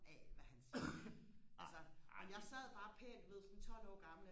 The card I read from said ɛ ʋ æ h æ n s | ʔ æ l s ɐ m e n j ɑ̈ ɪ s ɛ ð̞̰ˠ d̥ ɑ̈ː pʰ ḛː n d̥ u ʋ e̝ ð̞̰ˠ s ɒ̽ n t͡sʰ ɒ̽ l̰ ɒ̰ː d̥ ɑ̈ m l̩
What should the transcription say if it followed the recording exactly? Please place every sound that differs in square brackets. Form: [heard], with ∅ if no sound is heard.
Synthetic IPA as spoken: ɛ ʋ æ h æ n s | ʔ æ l s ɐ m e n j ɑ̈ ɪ s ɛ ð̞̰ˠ [b̥] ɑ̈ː pʰ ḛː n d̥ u ʋ e̝ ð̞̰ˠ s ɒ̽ n t͡sʰ ɒ̽ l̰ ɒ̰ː [ɡ̥] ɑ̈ m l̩